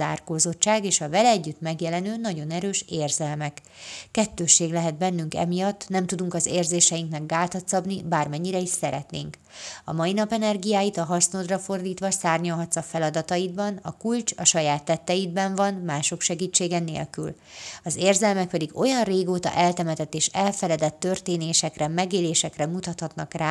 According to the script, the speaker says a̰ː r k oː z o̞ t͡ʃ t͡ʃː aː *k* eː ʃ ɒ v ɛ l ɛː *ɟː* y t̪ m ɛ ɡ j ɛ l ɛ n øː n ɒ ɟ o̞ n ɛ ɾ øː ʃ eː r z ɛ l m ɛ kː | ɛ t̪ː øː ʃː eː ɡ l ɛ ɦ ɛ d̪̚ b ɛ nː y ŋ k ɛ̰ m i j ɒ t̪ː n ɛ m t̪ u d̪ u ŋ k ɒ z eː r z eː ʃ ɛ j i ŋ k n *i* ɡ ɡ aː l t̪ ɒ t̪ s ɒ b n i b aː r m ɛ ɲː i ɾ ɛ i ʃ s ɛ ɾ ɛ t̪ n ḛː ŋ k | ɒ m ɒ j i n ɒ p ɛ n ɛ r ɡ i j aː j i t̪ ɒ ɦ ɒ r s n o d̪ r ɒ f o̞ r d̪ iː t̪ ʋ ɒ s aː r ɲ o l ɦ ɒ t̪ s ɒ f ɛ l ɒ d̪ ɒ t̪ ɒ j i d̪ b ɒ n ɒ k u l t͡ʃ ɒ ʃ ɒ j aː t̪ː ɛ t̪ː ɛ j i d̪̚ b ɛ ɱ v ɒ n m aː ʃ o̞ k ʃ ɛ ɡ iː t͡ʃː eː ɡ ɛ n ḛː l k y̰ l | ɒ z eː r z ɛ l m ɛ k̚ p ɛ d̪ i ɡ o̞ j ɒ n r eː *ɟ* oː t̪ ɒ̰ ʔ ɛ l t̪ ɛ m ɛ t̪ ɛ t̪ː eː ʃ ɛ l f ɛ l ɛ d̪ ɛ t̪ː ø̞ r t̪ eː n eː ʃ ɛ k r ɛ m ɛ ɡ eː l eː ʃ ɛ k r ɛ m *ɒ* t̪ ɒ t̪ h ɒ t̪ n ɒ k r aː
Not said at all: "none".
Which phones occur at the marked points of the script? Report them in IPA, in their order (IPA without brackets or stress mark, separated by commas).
ɡ, ɟː, ɛ, ɡ, u